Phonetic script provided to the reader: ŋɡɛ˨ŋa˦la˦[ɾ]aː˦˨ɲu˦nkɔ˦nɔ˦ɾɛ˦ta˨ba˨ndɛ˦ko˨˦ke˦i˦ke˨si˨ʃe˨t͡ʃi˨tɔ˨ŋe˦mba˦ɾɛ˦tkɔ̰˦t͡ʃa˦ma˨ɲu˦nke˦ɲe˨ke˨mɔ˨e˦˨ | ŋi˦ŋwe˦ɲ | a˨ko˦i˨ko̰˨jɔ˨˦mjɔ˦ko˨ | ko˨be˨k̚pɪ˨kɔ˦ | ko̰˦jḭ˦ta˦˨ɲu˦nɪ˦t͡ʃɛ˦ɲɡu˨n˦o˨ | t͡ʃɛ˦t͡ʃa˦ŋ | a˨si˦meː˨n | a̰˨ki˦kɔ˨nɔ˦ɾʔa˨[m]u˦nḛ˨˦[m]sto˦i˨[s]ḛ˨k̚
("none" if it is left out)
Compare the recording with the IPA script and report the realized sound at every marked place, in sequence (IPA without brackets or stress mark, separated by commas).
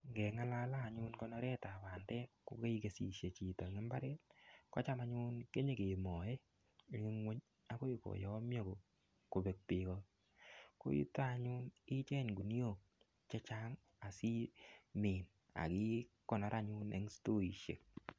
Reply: l, ɲ, ŋ, ʃ